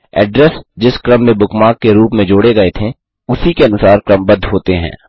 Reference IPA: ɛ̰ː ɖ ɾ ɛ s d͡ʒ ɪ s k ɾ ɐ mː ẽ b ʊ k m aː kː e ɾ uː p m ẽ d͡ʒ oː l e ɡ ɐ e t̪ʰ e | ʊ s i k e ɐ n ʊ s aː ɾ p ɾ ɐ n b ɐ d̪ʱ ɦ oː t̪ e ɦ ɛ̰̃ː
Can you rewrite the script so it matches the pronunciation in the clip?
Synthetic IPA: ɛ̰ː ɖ ɾ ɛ s d͡ʒ ɪ s k ɾ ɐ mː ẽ b ʊ k m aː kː e ɾ uː p m ẽ d͡ʒ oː ɽ e ɡ ɐ e t̪ʰ e | ʊ s i k e ɐ n ʊ s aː ɾ k ɾ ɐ m b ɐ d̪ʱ ɦ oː t̪ e ɦ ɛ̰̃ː